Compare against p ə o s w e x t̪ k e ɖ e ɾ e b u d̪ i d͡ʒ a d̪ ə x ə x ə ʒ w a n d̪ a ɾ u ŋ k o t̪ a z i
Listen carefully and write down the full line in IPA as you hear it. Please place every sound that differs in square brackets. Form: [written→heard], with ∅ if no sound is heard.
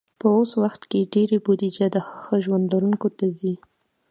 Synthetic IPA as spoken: p ə o s w [e→a] x t̪ k e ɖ e ɾ e b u d̪ i d͡ʒ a d̪ ə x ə x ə ʒ w a n d̪ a ɾ u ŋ k o t̪ a z i